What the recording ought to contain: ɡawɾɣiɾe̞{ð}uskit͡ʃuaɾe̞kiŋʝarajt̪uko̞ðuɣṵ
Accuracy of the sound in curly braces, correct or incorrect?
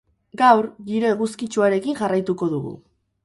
incorrect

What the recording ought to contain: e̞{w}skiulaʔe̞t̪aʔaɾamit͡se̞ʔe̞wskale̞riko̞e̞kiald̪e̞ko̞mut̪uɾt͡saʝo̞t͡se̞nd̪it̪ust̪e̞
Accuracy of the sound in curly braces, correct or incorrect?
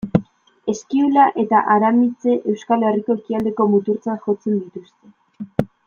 incorrect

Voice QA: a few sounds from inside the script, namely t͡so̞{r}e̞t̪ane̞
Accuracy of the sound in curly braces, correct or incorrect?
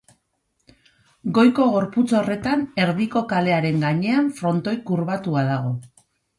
correct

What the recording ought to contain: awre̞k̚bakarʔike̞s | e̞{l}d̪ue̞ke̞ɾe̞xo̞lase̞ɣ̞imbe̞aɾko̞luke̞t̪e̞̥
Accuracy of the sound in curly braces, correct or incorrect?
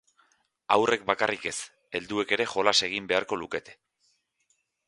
correct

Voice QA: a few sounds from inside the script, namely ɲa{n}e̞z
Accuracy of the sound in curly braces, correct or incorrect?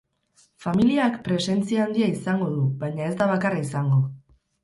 incorrect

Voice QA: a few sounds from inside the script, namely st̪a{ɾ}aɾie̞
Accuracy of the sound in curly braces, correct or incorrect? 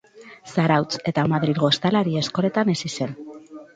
incorrect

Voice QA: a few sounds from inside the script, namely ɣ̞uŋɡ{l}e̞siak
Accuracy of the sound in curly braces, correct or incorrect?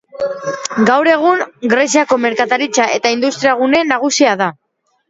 incorrect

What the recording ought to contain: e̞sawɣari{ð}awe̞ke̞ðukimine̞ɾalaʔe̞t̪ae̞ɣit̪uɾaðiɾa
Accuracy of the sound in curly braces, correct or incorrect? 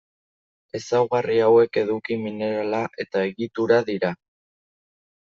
incorrect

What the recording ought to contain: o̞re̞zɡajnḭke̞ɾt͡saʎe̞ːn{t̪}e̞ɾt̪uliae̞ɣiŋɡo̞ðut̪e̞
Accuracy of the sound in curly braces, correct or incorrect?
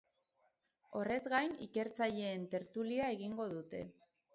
correct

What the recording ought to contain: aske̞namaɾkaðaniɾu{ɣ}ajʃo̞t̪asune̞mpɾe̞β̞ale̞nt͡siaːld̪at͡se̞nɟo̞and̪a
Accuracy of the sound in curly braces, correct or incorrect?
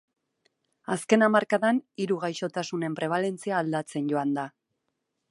correct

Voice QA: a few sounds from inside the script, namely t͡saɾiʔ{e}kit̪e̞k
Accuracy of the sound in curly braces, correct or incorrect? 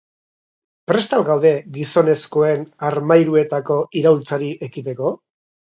correct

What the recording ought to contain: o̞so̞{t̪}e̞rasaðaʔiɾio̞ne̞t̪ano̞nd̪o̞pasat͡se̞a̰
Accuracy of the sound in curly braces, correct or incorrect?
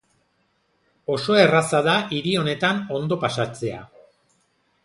incorrect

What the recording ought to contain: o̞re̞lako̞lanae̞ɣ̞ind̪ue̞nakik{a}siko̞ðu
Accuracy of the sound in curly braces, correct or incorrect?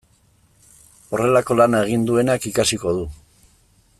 correct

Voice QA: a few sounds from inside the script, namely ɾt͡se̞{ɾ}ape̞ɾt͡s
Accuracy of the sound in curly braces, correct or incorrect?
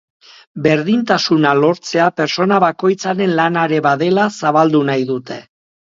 incorrect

